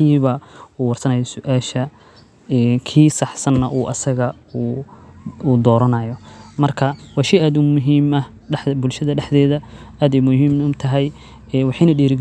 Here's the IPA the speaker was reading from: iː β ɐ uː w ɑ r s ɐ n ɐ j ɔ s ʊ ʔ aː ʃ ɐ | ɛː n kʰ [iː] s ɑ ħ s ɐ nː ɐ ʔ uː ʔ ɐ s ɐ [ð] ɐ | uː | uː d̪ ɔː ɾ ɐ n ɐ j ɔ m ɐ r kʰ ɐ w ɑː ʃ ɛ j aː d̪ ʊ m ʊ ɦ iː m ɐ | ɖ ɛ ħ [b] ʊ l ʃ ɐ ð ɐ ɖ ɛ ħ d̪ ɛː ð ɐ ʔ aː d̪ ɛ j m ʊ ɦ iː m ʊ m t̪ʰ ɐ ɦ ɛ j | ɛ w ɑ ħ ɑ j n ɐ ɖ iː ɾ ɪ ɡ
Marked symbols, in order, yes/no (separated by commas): yes, no, yes